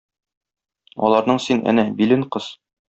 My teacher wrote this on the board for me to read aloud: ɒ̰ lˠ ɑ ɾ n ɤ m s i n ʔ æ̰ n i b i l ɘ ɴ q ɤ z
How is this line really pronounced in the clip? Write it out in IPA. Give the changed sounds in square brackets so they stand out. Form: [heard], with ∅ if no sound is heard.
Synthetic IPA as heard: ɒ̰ lˠ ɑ ɾ n ɤ [ɴ] s i n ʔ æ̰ n [æ] b i l ɘ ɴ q ɤ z